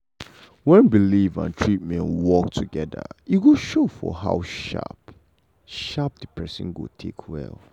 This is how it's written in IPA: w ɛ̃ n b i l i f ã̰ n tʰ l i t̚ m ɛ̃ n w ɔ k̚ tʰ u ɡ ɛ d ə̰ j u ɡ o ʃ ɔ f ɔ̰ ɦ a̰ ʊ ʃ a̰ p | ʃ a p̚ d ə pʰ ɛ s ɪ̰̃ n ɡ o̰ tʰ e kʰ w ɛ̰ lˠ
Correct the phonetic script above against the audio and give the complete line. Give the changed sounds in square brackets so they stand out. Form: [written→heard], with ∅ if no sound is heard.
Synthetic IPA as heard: w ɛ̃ n b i l i [f→v] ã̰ n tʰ [l→ɹ] i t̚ m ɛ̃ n w ɔ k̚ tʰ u ɡ ɛ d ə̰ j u ɡ o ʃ [ɔ→o] f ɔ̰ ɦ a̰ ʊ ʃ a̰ p | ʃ a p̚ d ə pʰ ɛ s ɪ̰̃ n ɡ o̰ tʰ e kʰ w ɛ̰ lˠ